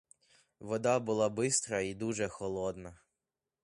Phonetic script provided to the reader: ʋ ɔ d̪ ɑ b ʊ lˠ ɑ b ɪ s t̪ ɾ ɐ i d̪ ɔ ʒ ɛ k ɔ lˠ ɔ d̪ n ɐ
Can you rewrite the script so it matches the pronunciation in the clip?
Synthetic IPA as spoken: ʋ ɔ d̪ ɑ b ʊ lˠ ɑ b ɪ s t̪ ɾ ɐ i d̪ u ʒ ɛ x ɔ lˠ ɔ d̪ n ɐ